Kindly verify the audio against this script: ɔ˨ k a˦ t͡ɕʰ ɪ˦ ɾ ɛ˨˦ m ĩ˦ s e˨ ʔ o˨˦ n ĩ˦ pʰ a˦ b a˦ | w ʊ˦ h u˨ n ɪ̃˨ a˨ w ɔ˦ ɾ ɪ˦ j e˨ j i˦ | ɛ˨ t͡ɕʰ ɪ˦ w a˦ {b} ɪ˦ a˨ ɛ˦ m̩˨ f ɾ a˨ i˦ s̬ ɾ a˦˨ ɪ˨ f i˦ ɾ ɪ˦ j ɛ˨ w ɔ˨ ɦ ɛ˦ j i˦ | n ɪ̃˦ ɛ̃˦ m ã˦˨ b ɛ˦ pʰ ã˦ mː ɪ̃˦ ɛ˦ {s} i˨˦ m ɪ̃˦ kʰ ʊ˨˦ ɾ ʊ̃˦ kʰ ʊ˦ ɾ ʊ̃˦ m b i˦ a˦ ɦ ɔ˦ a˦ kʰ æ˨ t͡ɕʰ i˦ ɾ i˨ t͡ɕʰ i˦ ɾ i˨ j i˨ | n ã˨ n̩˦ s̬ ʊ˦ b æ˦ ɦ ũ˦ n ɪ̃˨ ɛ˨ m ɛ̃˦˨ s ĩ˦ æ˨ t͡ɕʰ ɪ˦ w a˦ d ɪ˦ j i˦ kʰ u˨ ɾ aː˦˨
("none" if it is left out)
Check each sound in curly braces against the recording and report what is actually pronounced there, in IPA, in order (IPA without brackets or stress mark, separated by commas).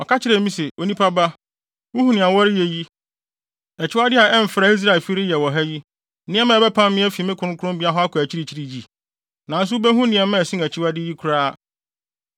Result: d, f